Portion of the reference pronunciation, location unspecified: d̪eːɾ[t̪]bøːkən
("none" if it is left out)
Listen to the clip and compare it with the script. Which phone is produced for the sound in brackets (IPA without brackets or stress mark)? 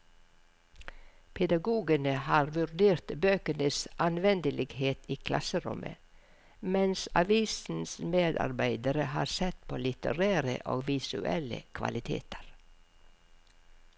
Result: t̪